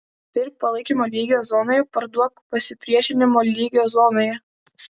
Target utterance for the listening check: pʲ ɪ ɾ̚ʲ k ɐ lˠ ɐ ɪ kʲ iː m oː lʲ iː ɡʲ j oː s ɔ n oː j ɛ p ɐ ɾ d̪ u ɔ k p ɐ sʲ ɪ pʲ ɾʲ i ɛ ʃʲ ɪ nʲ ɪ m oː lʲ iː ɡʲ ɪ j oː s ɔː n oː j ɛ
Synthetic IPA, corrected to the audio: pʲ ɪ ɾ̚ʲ p ɐ lˠ ɐ ɪ kʲ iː m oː lʲ iː ɡʲ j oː z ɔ n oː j ɛ p ɐ ɾ d̪ u ɔ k p ɐ sʲ ɪ pʲ ɾʲ i ɛ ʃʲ ɪ nʲ ɪ m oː lʲ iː ɡʲ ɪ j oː z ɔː n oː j ɛ